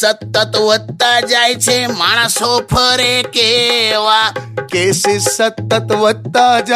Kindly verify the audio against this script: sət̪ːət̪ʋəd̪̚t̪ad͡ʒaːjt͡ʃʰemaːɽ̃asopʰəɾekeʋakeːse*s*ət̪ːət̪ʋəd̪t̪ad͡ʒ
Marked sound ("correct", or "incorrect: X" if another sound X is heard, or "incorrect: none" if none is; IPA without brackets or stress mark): correct